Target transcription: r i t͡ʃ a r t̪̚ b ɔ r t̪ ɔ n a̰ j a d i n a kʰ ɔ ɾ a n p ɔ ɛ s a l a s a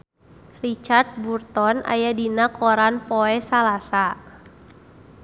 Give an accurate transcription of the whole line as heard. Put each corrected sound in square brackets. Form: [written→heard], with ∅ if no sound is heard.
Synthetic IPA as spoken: r i t͡ʃ a r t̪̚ b [ɔ→u] r t̪ ɔ n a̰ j a d i n a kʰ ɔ ɾ a n p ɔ ɛ s a l a s a